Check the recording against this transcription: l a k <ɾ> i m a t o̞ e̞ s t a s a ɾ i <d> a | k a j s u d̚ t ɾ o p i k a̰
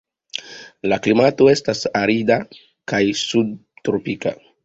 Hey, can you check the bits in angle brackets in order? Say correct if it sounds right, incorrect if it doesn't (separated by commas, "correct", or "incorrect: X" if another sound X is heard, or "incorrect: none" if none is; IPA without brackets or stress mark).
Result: incorrect: l, correct